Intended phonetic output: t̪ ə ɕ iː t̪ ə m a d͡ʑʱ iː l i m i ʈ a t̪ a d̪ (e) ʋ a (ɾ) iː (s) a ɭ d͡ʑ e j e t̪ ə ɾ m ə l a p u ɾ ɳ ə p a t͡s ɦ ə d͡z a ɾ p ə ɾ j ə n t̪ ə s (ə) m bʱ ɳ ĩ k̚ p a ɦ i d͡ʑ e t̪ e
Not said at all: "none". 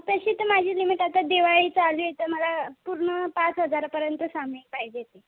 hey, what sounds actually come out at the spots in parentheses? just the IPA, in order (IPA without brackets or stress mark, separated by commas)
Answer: e, ɭ, t͡s, a